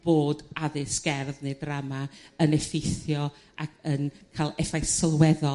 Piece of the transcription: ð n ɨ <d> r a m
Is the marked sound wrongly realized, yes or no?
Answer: no